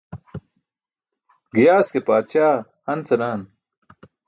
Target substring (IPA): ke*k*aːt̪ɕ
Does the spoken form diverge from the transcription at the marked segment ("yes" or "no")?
yes